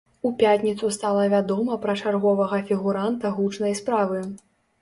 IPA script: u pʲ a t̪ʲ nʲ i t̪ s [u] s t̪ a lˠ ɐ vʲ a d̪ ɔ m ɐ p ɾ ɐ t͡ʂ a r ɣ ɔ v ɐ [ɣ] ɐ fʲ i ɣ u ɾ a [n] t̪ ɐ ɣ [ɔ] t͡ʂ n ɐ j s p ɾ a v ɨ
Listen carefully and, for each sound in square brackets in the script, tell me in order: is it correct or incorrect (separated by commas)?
correct, correct, correct, incorrect